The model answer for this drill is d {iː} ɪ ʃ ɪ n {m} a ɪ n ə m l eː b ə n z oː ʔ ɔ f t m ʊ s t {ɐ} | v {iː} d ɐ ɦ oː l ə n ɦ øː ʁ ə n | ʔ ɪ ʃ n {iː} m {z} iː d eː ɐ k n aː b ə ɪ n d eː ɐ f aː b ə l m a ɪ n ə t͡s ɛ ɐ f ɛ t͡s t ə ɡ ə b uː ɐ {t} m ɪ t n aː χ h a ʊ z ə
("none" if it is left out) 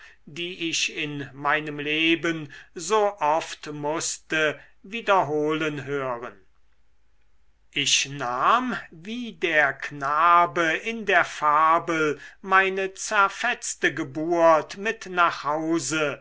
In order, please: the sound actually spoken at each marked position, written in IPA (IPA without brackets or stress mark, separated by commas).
iː, m, ə, iː, aː, v, t